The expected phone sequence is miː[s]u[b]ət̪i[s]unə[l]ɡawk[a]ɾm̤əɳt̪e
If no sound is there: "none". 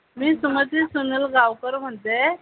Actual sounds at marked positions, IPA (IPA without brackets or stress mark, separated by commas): s, m, s, l, ə